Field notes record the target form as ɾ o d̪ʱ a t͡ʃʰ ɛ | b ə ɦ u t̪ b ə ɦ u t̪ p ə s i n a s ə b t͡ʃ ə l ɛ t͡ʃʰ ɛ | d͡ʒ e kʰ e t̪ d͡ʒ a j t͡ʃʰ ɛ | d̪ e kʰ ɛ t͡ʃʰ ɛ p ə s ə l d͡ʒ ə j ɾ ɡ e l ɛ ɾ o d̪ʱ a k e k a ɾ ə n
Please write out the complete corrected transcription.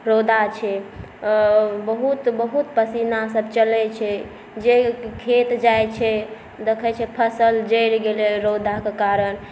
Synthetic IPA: ɾ o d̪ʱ a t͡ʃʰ ɛ | b ə ɦ u t̪ b ə ɦ u t̪ p ə s i n a s ə b t͡ʃ ə l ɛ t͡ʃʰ ɛ | d͡ʒ e kʰ e t̪ d͡ʒ a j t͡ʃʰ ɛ | d̪ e kʰ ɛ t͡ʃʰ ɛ pʰ ə s ə l d͡ʒ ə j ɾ ɡ e l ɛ ɾ o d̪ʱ a k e k a ɾ ə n

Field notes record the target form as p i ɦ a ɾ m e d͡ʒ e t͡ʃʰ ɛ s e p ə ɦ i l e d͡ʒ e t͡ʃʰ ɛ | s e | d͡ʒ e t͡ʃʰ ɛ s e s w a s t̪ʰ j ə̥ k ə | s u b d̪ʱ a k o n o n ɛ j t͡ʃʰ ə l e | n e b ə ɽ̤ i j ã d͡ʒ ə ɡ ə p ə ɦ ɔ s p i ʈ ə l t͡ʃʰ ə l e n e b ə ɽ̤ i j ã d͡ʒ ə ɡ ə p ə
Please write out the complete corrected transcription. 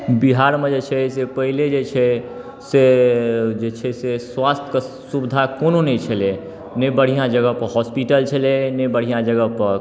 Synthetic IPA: b i ɦ a ɾ m e d͡ʒ e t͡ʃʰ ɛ s e p ə ɦ i l e d͡ʒ e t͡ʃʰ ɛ | s e | d͡ʒ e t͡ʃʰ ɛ s e s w a s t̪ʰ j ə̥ k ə | s u b d̪ʱ a k o n o n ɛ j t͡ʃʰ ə l e | n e b ə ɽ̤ i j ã d͡ʒ ə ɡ ə p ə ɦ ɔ s p i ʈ ə l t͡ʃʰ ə l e n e b ə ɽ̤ i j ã d͡ʒ ə ɡ ə p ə

